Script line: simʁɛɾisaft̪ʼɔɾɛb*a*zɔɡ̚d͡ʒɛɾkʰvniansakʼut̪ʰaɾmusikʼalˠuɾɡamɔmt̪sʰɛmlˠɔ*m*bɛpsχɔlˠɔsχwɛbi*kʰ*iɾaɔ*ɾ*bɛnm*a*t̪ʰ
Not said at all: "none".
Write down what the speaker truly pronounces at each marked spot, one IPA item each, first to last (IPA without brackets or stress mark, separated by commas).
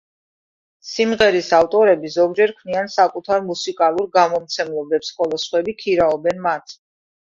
i, none, kʰ, none, a